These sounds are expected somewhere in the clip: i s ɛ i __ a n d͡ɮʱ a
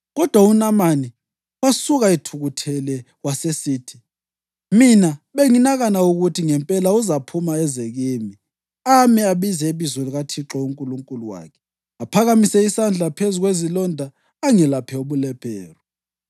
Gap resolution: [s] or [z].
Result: s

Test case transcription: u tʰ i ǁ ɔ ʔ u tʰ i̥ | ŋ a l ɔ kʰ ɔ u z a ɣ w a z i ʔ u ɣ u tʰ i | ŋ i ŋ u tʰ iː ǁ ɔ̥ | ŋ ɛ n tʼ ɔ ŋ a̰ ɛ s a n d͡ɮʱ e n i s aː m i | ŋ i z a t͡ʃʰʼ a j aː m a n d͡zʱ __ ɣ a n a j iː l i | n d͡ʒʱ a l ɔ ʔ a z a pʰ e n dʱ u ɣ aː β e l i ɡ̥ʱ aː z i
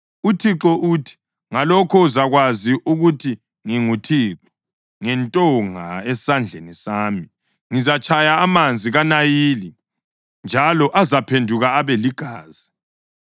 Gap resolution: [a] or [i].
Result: i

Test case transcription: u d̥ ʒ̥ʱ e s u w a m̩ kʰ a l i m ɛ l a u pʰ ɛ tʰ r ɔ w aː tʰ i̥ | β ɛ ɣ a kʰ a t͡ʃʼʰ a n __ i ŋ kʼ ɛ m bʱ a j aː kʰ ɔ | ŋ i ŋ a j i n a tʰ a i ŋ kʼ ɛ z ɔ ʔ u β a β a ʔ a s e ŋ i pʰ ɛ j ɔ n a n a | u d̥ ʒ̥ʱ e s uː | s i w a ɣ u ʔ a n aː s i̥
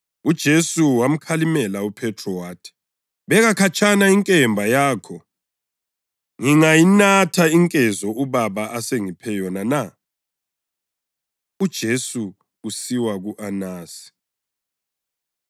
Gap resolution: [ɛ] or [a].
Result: a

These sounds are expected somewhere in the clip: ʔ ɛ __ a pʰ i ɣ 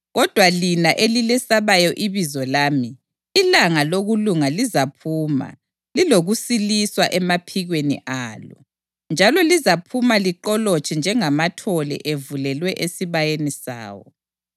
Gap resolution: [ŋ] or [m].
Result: m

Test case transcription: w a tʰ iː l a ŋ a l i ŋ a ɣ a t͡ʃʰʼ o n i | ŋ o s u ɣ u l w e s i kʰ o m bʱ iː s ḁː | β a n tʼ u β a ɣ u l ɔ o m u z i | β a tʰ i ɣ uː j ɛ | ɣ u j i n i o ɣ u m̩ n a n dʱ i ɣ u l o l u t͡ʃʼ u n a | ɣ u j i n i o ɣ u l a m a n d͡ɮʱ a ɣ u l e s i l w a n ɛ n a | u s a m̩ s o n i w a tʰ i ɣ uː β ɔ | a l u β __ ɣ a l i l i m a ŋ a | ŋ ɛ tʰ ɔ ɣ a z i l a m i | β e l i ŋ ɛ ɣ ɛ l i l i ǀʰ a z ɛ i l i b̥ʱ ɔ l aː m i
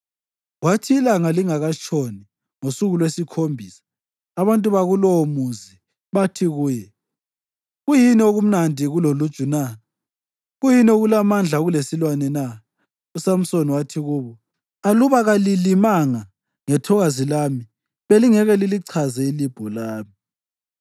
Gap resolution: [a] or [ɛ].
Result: a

